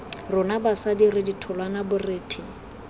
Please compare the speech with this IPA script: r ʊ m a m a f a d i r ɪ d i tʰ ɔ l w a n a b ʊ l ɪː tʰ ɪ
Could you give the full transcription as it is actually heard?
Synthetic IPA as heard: r ʊ n a b a s a d i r ɪ d i tʰ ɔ l w a n a b ʊ r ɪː tʰ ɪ